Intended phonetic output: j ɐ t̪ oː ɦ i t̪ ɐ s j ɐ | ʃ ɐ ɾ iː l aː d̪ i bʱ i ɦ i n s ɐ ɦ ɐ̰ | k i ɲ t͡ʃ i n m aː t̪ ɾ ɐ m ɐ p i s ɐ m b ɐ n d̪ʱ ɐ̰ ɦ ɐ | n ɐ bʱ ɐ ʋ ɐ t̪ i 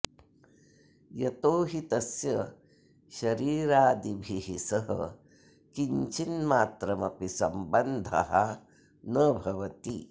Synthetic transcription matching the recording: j ɐ t̪ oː ɦ i t̪ ɐ s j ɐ | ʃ ɐ ɾ iː ɾ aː d̪ i bʱ i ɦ i s ɐ ɦ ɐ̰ | k i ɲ t͡ʃ i n m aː t̪ ɾ ɐ m ɐ p i s ɐ m b ɐ n d̪ʱ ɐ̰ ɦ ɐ | n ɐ bʱ ɐ ʋ ɐ t̪ i

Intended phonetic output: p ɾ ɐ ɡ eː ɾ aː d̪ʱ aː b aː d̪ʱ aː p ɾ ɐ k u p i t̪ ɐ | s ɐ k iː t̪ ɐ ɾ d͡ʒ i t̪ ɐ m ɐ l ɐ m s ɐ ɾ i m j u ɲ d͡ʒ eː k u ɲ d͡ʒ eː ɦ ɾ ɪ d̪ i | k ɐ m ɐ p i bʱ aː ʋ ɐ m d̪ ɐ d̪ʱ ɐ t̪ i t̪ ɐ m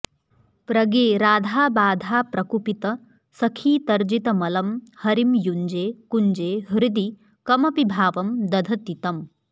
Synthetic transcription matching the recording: p ɾ ɐ ɡ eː ɾ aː d̪ʱ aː b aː d̪ʱ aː p ɾ ɐ k u p i t̪ ɐ | s ɐ kʰ iː t̪ ɐ ɾ d͡ʒ i t̪ ɐ m ɐ l ɐ m h ɐ ɾ i m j u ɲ d͡ʒ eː k u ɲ d͡ʒ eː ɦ ɾ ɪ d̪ i | k ɐ m ɐ p i bʱ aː ʋ ɐ m d̪ ɐ d̪ʱ ɐ t̪ i t̪ ɐ m

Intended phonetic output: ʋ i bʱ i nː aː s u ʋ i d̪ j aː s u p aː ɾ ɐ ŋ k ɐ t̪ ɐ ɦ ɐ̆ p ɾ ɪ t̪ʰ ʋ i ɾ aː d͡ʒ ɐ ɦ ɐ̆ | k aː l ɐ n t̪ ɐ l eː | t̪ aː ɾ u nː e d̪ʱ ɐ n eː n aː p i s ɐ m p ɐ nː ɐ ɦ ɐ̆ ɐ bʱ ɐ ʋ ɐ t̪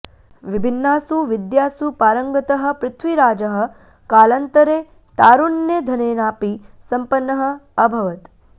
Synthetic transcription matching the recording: ʋ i bʱ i nː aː s u ʋ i d̪ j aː s u p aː ɾ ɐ ŋ ɡ ɐ t̪ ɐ ɦ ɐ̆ p ɾ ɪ t̪ʰ ʋ i ɾ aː d͡ʒ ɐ ɦ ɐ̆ | k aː l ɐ n t̪ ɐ ɾ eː | t̪ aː ɾ u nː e d̪ʱ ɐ n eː n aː p i s ɐ m p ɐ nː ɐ ɦ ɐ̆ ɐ bʱ ɐ ʋ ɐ t̪

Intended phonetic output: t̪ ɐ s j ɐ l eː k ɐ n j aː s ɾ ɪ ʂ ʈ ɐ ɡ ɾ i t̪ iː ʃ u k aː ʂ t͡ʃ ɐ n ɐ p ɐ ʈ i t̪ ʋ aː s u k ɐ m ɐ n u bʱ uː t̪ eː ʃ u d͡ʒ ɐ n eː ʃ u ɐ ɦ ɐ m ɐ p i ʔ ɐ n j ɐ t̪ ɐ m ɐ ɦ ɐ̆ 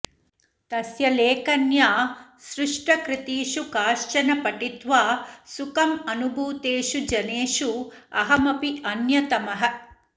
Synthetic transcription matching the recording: t̪ ɐ s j ɐ l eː k ɐ n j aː s ɾ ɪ ʂ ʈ ɐ k ɾ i t̪ iː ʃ u k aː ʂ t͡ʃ ɐ n ɐ p ɐ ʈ i t̪ ʋ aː s u k ɐ m ɐ n u bʱ uː t̪ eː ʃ u d͡ʒ ɐ n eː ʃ u ɐ ɦ ɐ m ɐ p i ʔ ɐ n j ɐ t̪ ɐ m ɐ ɦ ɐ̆

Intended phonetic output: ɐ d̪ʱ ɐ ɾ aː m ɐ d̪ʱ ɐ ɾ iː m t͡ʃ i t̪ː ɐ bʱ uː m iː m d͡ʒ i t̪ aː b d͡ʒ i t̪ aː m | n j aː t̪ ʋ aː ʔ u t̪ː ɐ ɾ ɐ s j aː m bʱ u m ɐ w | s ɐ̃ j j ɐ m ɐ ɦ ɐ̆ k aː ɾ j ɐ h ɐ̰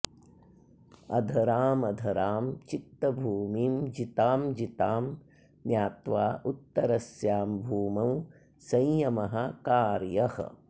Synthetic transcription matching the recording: ɐ d̪ʱ ɐ ɾ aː m ɐ d̪ʱ ɐ ɾ aː m t͡ʃ i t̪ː ɐ bʱ uː m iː m d͡ʒ i t̪ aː m d͡ʒ i t̪ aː m | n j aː t̪ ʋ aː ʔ u t̪ː ɐ ɾ ɐ s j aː m bʱ uː m ɐ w | s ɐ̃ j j ɐ m ɐ ɦ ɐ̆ k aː ɾ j ɐ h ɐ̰

